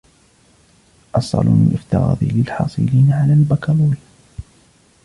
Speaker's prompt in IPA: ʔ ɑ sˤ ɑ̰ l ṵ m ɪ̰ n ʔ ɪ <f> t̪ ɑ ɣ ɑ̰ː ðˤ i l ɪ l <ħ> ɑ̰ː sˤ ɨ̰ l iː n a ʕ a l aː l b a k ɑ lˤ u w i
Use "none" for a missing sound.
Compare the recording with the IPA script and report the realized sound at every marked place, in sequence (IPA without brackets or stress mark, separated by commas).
f, ħ